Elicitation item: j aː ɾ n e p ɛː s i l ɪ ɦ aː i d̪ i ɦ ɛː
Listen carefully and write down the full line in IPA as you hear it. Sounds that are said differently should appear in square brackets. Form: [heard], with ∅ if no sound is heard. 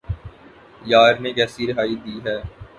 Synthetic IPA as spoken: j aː ɾ n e [k] ɛː s i [ɾ] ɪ ɦ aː i d̪ [iː] ɦ ɛː